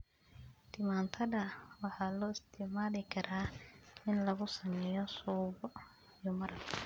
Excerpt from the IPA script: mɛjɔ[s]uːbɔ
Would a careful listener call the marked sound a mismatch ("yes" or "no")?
no